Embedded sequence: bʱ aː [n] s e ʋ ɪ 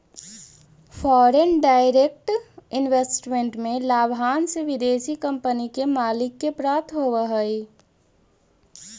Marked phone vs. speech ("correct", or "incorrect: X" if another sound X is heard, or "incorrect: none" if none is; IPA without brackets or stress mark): correct